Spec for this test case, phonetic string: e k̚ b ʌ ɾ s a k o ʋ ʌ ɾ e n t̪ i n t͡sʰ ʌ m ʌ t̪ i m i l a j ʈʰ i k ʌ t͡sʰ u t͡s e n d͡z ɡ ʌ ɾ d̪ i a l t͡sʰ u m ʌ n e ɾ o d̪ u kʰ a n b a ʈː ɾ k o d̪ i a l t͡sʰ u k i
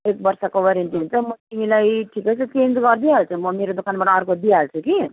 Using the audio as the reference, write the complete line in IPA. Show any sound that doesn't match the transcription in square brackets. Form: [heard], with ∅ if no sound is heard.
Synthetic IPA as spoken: e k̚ b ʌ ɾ s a k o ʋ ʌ ɾ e n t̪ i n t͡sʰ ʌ m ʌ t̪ i m i l a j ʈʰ i k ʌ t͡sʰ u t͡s e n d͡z ɡ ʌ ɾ d̪ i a l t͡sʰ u m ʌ [m] e ɾ o d̪ u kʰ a n b a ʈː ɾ k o d̪ i a l t͡sʰ u k i

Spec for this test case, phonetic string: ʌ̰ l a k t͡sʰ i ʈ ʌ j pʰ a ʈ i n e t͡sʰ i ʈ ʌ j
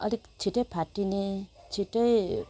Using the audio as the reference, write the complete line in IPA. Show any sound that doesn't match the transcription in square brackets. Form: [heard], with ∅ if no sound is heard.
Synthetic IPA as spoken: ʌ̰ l [i] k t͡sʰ i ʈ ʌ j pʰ a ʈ i n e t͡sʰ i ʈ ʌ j

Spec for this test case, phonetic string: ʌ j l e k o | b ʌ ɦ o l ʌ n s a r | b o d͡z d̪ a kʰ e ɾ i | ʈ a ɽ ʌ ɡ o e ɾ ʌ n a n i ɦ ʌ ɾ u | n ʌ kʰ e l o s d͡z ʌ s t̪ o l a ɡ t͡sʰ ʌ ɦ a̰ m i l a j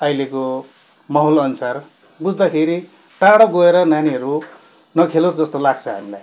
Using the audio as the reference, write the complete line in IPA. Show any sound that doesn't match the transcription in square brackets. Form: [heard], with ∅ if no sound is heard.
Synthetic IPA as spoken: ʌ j l e k o | [m] ʌ ɦ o l ʌ n s a r | b [u] d͡z d̪ a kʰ e ɾ i | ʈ a ɽ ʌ ɡ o e ɾ ʌ n a n i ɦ ʌ ɾ u | n ʌ kʰ e l o s d͡z ʌ s t̪ o l a ɡ t͡sʰ ʌ ɦ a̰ m i l a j

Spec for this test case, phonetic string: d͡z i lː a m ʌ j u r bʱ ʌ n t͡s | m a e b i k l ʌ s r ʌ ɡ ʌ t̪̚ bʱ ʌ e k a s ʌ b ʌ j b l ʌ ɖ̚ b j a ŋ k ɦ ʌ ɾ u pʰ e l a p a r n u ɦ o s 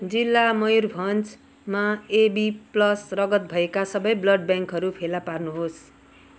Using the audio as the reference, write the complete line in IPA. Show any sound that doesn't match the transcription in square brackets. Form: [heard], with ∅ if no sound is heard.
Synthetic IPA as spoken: d͡z i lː a m ʌ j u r bʱ ʌ n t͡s | m a e b i [p] l ʌ s r ʌ ɡ ʌ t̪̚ bʱ ʌ e k a s ʌ b ʌ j b l ʌ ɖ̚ b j a ŋ k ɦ ʌ ɾ u pʰ e l a p a r n u ɦ o s

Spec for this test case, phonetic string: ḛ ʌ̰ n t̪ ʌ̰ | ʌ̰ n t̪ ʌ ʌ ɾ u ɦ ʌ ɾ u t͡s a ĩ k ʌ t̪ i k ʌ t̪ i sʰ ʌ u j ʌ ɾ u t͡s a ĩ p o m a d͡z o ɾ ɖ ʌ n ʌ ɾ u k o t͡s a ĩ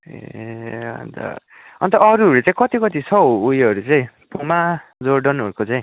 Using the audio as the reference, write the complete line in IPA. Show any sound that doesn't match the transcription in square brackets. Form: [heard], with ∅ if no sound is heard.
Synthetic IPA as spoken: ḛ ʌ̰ n t̪ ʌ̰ | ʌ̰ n t̪ ʌ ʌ ɾ u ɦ ʌ ɾ u t͡s a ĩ k ʌ t̪ i k ʌ t̪ i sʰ ʌ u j ʌ ɾ u t͡s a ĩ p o m a d͡z o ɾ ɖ ʌ n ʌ ɾ u k o t͡s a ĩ

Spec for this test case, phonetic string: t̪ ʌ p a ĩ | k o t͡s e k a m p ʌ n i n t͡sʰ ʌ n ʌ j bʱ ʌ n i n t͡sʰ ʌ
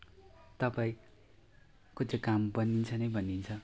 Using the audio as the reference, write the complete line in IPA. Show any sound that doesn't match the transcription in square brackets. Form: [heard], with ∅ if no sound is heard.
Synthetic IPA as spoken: t̪ ʌ p a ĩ | k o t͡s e k a m [b] ʌ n i n t͡sʰ ʌ n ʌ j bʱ ʌ n i n t͡sʰ ʌ

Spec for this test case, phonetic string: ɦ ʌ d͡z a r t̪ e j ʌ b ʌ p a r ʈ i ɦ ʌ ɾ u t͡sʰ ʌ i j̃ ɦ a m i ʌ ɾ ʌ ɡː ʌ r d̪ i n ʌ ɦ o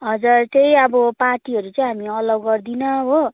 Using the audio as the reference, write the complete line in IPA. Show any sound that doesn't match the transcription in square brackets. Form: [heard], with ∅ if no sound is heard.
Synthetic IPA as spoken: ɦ ʌ d͡z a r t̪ e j ʌ b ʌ p a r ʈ i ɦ ʌ ɾ u [t͡s] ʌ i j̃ ɦ a m i ʌ [l] ʌ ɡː ʌ r d̪ i n ʌ ɦ o

